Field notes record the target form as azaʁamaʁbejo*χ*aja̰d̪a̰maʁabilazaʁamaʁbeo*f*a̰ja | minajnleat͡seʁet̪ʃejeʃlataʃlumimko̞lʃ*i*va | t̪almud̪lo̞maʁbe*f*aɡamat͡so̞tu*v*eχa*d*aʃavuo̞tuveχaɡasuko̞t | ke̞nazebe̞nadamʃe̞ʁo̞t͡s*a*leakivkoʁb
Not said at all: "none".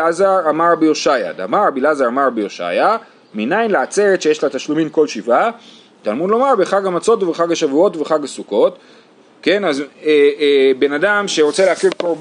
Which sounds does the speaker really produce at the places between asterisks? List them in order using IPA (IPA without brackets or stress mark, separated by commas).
ʃ, ʃ, i, χ, v, ɡ, e